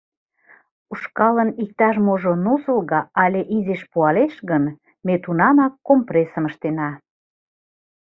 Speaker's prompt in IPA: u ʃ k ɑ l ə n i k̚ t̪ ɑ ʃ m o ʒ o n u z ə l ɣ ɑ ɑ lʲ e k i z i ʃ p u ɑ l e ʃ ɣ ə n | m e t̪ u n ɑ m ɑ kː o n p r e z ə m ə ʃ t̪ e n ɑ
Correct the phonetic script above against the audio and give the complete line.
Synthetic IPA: u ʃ k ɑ l ə n i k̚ t̪ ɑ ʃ m o ʒ o n u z ə l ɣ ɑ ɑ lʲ e ʔ i z e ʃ p u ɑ l e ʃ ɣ ə n | m e t̪ u n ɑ m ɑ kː o m p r e s ə m ə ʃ t̪ e n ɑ